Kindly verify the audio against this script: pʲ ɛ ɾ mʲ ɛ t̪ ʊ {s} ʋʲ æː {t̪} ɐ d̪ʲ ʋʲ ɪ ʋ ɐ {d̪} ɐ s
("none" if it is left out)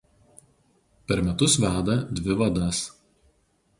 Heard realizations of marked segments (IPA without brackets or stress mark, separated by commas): s, d̪, d̪